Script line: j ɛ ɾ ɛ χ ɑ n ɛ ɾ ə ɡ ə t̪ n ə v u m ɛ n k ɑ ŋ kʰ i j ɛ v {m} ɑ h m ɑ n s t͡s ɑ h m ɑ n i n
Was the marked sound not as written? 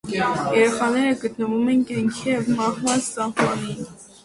no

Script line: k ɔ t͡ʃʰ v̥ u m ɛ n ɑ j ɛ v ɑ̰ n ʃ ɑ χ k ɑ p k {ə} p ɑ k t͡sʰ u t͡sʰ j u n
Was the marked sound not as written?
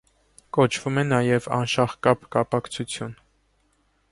yes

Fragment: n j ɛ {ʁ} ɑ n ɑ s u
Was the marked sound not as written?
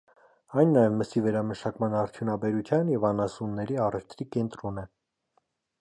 yes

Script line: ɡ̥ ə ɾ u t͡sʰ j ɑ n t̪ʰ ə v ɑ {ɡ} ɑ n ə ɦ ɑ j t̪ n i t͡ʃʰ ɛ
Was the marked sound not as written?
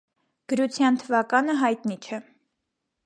yes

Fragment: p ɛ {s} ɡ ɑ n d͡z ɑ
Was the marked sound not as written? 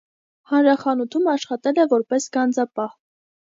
no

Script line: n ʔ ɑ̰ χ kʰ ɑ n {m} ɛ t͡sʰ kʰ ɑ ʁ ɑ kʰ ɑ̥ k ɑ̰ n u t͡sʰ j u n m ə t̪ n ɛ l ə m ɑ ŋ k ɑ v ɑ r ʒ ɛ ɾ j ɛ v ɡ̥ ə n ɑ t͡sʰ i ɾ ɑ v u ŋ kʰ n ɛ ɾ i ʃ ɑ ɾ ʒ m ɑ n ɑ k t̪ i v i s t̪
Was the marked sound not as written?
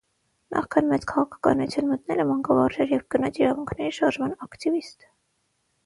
no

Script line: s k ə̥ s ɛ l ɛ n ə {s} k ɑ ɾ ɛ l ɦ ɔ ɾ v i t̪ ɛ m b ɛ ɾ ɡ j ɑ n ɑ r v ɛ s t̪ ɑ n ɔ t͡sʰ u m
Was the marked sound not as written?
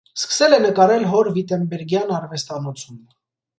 yes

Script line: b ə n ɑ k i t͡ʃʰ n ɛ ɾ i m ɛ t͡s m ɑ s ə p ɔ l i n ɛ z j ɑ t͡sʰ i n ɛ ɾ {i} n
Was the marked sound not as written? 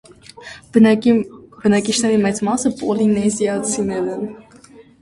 yes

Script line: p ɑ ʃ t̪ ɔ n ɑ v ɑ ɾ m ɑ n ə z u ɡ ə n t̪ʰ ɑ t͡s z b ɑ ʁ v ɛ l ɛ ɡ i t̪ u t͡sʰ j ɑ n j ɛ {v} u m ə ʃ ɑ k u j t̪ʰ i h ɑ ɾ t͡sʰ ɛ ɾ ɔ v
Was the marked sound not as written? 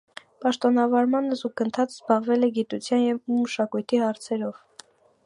no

